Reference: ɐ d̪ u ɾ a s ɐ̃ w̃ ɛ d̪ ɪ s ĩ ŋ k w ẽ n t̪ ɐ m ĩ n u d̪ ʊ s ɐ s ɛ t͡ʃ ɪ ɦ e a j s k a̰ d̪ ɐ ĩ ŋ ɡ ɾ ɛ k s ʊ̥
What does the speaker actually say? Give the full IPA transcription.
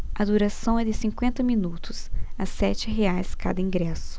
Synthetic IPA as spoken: ɐ d̪ u ɾ a s ɐ̃ w̃ ɛ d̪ ɪ s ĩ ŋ k w ẽ n t̪ ɐ m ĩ n u t̪ ʊ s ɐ s ɛ t͡ʃ ɪ ɦ e a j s k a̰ d̪ ɐ ĩ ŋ ɡ ɾ ɛ s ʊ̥